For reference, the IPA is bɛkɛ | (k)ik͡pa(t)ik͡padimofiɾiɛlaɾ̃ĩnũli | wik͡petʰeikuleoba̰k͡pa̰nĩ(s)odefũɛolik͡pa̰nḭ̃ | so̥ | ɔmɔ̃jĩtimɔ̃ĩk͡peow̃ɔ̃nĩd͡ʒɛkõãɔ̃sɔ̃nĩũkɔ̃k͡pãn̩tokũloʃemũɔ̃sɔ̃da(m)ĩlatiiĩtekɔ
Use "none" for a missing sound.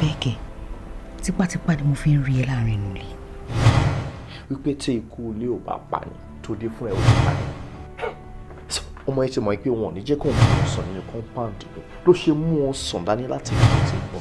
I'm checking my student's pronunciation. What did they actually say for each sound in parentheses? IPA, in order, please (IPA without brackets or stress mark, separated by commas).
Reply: t, t, t, n